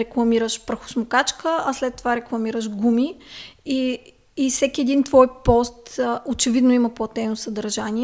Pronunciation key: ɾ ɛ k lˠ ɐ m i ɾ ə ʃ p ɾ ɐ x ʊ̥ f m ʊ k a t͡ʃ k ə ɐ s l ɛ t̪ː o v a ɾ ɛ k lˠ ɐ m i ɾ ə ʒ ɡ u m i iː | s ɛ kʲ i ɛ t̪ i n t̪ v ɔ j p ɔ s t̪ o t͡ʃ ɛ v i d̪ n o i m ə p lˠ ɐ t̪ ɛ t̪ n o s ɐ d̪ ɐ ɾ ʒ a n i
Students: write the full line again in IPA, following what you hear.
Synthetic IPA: ɾ ɛ k lˠ ɐ m i ɾ ə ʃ p ɾ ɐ x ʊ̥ s m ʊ k a t͡ʃ k ə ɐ s l ɛ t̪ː o v a ɾ ɛ k lˠ ɐ m i ɾ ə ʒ ɡ u m i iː | s ɛ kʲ i ɛ d̪ i n t̪ v ɔ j p ɔ s t̪ o t͡ʃ ɛ v i d̪ n o i m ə p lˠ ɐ t̪ ɛ n o s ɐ d̪ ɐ ɾ ʒ a n i